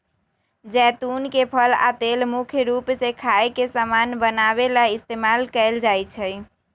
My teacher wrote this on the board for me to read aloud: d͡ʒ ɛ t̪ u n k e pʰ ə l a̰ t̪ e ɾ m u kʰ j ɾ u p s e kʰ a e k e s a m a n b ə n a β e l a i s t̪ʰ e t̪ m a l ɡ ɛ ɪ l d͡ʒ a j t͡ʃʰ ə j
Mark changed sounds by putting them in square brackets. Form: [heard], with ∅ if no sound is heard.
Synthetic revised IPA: d͡ʒ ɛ t̪ u n k e pʰ ə l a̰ t̪ e [l] m u kʰ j ɾ u p s e kʰ a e k e s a m a n b ə n a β e l a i s [t̪] e [∅] m a l [k] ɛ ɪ l d͡ʒ a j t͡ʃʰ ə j

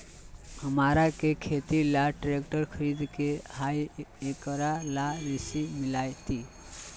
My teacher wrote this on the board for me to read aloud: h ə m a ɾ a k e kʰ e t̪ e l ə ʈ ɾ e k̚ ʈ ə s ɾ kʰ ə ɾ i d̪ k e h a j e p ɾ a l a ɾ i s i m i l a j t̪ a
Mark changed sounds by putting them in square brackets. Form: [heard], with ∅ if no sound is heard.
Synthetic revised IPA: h ə m a ɾ a k e kʰ e t̪ [i] l [a] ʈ ɾ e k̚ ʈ ə [∅] ɾ kʰ ə ɾ i d̪ k e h a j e [k] ɾ a l a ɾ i s i m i l a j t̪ [i]

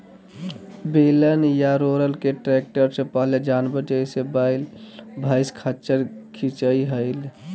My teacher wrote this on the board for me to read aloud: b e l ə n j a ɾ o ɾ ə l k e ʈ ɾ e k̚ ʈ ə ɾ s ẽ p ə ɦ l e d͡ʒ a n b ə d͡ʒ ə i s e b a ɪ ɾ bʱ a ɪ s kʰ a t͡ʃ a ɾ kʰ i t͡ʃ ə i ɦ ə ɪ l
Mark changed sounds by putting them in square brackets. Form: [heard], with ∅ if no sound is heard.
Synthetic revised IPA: b e l ə n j a ɾ o ɾ ə l k e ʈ ɾ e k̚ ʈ ə ɾ s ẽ p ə ɦ l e d͡ʒ a n b ə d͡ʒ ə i s e b a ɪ [l] bʱ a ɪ s kʰ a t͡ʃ [ə] ɾ kʰ i t͡ʃ ə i ɦ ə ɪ l

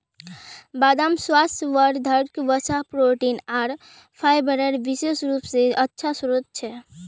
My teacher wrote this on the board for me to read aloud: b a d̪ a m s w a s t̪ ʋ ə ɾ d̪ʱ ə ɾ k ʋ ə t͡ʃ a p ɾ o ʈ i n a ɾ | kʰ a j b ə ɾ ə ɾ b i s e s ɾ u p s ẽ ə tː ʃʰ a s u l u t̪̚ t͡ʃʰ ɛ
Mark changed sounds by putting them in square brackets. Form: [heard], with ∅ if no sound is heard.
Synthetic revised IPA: b a d̪ a m s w a s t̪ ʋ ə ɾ d̪ʱ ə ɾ k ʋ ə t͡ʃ a p ɾ o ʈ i n a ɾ | [pʰ] a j b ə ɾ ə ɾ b i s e s ɾ u p s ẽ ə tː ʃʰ a s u [ɾ] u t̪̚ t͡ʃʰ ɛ

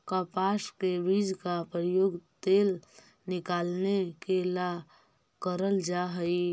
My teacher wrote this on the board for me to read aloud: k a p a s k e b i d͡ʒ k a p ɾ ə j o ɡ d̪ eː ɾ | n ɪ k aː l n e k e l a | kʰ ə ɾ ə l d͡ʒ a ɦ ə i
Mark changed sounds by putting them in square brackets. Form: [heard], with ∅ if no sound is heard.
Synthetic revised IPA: k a p a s k e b i d͡ʒ k a p ɾ ə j o ɡ [t̪] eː [l] | n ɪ k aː l n e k e l a | [k] ə ɾ ə l d͡ʒ a ɦ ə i

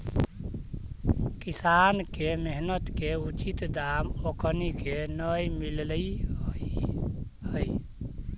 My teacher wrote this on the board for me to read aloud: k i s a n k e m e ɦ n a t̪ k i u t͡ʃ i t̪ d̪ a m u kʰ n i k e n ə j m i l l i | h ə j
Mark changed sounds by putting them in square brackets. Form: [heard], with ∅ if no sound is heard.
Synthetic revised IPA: k i s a n k e m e ɦ n [ə] t̪ k [e] u t͡ʃ i t̪ d̪ a m [o] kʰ n i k e n ə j m i l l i | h ə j

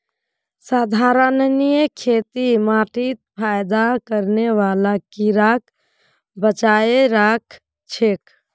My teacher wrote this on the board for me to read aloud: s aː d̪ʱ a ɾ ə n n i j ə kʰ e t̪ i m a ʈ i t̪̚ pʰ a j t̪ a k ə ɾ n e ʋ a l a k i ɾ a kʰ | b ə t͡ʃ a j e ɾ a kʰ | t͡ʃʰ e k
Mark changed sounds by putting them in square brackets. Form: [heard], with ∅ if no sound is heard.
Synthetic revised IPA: s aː d̪ʱ a ɾ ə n n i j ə kʰ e t̪ i m a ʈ i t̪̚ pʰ a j [d̪] a k ə ɾ n e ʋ a l a k i ɾ a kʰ | b ə t͡ʃ a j e ɾ a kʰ | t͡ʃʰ e k

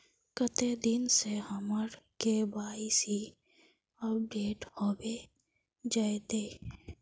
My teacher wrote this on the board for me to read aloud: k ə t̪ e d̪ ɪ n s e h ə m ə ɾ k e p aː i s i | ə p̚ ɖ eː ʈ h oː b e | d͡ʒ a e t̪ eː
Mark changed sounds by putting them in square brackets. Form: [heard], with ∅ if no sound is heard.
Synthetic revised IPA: k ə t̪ e d̪ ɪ n s e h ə m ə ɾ k e [b] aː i s i | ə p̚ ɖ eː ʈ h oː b e | d͡ʒ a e t̪ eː

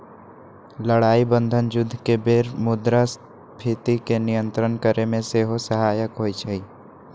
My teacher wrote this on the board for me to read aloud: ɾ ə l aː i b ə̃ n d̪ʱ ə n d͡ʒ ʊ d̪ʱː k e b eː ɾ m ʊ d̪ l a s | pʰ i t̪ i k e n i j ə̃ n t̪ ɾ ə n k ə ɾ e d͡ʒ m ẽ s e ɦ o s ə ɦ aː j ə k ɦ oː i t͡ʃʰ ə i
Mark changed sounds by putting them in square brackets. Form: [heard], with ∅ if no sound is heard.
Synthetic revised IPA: [l] ə [ɽ] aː i b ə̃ n d̪ʱ ə n d͡ʒ ʊ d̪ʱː k e b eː ɾ m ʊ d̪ [ɾ] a s | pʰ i t̪ i k e n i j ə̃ n t̪ ɾ ə n k ə ɾ e [∅] m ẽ s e ɦ o s ə ɦ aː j ə k ɦ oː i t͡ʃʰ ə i

